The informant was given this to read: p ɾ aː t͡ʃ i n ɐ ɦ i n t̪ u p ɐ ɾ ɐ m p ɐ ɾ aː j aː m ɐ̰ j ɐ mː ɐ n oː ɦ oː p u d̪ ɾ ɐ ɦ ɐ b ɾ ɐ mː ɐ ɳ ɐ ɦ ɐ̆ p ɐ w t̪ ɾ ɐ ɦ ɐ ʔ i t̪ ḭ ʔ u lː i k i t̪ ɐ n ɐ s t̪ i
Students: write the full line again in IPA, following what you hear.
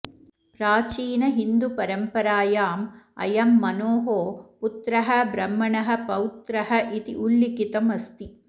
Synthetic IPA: p ɾ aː t͡ʃ iː n ɐ ɦ i n d̪ u p ɐ ɾ ɐ m p ɐ ɾ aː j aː m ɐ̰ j ɐ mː ɐ n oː ɦ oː p u t̪ ɾ ɐ ɦ ɐ b ɾ ɐ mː ɐ ɳ ɐ ɦ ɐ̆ p ɐ w t̪ ɾ ɐ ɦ ɐ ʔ i t̪ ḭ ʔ u lː i k i t̪ ɐ m ɐ s t̪ i